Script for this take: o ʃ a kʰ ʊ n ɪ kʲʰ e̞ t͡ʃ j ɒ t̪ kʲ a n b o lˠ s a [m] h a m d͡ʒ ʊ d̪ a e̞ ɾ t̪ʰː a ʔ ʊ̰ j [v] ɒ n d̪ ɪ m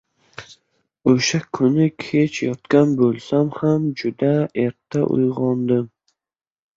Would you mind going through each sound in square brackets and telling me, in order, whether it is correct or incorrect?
correct, incorrect: ʁ

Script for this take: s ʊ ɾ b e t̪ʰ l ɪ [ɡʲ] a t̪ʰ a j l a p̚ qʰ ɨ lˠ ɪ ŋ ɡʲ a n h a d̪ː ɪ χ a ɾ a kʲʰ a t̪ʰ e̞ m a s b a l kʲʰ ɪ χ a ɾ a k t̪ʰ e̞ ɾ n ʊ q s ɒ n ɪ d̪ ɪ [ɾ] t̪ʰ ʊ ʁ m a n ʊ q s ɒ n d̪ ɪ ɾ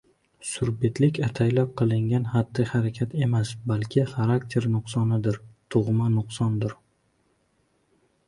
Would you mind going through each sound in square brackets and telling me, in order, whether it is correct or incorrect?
incorrect: kʲ, correct

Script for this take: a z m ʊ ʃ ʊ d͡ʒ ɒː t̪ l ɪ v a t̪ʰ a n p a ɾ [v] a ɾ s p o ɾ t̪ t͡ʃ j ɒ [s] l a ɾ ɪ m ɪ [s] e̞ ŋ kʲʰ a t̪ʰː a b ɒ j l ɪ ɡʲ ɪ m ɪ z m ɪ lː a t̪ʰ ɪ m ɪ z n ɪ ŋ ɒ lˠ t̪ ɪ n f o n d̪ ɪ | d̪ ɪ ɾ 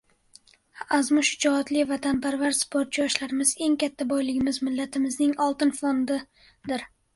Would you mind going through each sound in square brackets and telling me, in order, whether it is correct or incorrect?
correct, incorrect: ʃ, incorrect: z

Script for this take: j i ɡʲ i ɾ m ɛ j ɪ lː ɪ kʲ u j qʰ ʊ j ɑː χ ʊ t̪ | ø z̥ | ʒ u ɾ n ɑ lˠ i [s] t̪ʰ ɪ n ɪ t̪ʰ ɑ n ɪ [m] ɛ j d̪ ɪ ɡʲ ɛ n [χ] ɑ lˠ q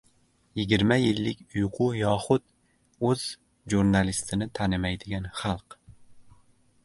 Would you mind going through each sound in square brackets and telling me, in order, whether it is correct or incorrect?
correct, correct, correct

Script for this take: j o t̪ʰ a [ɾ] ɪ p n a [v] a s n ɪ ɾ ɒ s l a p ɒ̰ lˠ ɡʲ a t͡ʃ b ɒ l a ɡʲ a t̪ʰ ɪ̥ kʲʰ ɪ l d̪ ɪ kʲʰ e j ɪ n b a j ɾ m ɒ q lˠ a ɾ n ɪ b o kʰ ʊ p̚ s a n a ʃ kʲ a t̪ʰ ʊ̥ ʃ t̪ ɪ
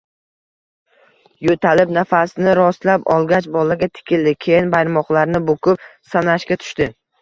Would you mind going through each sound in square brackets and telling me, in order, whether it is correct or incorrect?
incorrect: l, incorrect: f

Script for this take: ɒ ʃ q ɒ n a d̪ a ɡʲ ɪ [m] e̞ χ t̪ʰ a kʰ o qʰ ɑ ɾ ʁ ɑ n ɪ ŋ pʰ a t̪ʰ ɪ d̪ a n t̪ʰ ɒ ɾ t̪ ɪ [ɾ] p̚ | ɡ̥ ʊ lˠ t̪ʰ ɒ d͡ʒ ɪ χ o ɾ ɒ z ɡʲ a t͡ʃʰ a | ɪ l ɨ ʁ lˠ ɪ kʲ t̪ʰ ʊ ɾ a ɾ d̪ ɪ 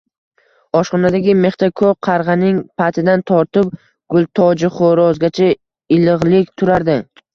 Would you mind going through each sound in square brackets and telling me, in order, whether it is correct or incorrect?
correct, incorrect: none

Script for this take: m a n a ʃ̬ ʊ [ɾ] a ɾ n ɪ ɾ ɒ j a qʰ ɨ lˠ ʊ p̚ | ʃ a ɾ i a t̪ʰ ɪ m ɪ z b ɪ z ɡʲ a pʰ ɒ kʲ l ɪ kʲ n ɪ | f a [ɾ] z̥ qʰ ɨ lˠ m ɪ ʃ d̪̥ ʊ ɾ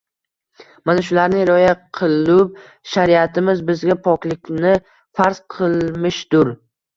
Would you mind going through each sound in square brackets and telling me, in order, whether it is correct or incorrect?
incorrect: l, correct

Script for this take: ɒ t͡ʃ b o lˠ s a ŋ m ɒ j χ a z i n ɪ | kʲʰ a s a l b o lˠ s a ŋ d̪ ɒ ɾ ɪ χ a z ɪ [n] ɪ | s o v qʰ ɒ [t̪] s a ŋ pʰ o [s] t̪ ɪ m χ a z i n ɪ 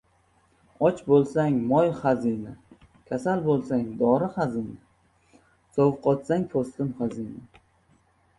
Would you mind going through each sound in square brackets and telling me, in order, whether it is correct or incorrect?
correct, correct, correct

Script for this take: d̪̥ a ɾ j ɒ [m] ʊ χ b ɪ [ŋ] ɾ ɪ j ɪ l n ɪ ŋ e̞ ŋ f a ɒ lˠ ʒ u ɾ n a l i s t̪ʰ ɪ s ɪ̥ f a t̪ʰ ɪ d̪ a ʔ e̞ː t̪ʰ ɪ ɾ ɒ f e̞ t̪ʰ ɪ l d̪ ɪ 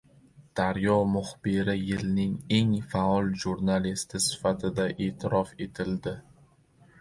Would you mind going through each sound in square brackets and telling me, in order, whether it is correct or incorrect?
correct, incorrect: none

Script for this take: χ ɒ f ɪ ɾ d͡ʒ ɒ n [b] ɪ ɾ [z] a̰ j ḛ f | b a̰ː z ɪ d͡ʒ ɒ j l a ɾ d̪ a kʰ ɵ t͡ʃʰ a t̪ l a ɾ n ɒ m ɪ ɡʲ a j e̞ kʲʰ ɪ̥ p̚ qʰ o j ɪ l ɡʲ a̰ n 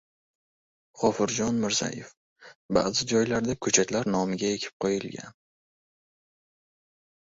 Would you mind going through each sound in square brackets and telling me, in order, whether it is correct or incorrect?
incorrect: m, correct

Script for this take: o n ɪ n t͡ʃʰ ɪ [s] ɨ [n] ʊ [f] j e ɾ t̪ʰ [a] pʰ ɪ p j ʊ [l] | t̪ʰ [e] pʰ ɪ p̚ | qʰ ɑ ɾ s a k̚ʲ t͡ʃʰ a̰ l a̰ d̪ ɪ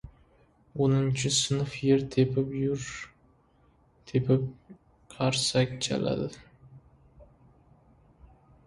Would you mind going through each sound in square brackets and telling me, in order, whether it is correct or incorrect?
correct, correct, correct, incorrect: e, incorrect: ɾ, correct

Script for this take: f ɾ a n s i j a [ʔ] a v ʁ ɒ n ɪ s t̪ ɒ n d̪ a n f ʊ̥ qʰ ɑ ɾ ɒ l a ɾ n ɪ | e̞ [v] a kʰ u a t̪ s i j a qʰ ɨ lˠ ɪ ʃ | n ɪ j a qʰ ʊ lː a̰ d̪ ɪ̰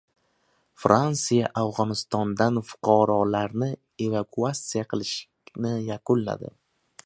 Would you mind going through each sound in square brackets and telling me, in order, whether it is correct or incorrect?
correct, correct

